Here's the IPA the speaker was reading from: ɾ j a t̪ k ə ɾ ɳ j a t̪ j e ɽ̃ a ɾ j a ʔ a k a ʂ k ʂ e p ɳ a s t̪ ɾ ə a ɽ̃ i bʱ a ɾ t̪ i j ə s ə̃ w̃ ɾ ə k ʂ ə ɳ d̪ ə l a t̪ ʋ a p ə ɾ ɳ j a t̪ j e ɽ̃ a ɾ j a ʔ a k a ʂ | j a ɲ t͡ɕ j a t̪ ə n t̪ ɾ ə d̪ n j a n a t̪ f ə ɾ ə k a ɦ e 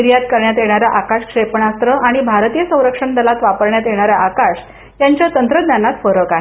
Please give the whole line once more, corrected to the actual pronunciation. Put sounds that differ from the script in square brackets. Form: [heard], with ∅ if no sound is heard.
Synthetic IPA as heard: ɾ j a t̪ k ə ɾ ɳ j a t̪ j e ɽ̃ a ɾ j a ʔ a k a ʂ k ʂ e p ɳ a s t̪ ɾ ə a ɽ̃ i bʱ a ɾ t̪ i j ə s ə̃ w̃ ɾ ə k ʂ ə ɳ d̪ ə l a t̪ ʋ a p ə ɾ ɳ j a t̪ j e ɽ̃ a ɾ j a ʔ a k a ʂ | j a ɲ t͡ɕ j a t̪ ə n t̪ ɾ ə d̪ n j a n a t̪ f ə ɾ ə k a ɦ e